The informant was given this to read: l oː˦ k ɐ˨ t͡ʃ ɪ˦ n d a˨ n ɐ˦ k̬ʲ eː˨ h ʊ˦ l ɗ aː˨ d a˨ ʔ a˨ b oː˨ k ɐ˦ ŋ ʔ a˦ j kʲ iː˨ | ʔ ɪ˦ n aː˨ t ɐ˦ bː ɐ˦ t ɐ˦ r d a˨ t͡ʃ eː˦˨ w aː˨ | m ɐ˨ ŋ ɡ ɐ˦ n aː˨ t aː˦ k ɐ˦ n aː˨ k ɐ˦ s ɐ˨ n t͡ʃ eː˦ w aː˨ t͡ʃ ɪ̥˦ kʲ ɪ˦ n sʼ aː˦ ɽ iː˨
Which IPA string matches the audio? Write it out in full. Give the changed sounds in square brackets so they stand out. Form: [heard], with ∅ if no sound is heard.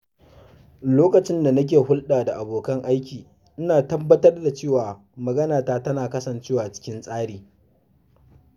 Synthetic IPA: l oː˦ k ɐ˨ t͡ʃ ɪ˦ n d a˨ n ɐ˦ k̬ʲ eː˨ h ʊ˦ l ɗ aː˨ d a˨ ʔ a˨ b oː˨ k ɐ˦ ŋ ʔ a˦ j kʲ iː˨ | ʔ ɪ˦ n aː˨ t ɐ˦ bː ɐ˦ t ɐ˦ r d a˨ t͡ʃ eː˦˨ w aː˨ | m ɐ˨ [∅] ɡ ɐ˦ n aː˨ t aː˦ [t] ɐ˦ n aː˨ k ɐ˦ s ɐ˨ n t͡ʃ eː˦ w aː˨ t͡ʃ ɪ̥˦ kʲ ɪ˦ n sʼ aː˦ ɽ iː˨